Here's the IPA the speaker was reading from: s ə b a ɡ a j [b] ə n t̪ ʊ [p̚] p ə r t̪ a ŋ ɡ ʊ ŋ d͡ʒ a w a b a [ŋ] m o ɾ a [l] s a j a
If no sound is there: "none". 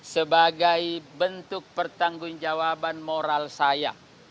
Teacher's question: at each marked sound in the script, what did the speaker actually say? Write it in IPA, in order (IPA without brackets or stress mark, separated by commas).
b, k̚, n, l